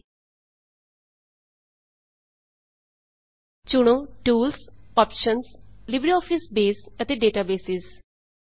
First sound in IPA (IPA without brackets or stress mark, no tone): t͡ʃ